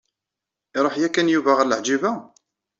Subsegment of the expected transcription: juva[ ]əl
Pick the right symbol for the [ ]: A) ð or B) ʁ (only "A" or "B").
B